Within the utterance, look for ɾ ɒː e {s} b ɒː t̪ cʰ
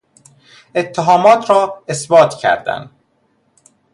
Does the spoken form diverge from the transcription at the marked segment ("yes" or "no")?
no